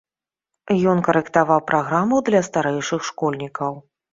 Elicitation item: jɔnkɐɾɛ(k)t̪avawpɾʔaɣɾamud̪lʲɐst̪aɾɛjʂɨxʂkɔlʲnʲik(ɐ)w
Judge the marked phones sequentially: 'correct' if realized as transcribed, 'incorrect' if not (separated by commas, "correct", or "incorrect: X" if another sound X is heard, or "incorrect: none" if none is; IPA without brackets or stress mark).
correct, correct